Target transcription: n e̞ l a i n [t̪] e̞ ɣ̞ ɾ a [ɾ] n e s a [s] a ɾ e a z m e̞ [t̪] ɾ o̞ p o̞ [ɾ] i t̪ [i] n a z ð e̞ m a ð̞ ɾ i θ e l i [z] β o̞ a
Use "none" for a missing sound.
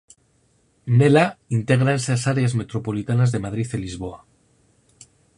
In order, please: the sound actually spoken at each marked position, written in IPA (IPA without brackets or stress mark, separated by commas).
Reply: t̪, none, s, t̪, l, a, z